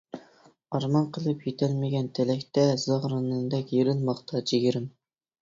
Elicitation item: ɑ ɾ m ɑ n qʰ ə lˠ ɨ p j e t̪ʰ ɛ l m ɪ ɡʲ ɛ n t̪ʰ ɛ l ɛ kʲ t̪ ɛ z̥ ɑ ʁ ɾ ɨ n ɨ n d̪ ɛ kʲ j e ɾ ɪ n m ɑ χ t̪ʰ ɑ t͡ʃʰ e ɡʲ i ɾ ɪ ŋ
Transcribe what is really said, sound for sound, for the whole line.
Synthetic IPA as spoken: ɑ ɾ m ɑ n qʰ ə lˠ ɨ p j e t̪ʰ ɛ l m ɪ ɡʲ ɛ n t̪ʰ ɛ l ɛ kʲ t̪ ɛ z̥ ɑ ʁ ɾ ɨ n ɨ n d̪ ɛ kʲ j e ɾ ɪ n m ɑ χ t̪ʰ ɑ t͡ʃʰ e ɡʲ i ɾ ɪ m